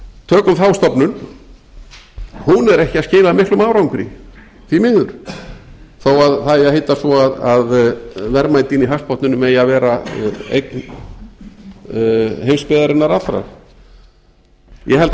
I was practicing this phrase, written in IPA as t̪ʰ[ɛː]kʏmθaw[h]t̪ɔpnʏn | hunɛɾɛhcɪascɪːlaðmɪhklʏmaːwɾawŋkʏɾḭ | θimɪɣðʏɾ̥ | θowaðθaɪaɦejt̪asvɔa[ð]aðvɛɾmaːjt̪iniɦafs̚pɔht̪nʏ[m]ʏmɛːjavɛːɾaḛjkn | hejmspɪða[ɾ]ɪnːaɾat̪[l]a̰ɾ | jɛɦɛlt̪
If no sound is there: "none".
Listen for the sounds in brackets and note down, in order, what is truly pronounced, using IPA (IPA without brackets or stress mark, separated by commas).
œː, s, ð, n, ɾ, ɾ